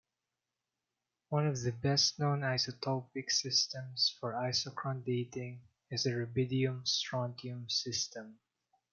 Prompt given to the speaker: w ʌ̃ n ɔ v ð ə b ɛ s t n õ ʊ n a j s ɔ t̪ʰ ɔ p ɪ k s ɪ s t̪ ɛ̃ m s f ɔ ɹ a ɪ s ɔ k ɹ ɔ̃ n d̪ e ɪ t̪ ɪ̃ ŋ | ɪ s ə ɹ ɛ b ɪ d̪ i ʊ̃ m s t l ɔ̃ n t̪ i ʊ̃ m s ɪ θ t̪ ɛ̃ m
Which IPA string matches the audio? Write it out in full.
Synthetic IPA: w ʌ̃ n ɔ v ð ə b ɛ s t n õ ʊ n a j s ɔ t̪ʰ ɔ p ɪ k s ɪ s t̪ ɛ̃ m s f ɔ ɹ a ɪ s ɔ k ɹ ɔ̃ n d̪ e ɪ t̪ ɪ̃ ŋ | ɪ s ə ɹ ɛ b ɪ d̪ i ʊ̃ m s t ɹ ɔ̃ n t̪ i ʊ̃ m s ɪ s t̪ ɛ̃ m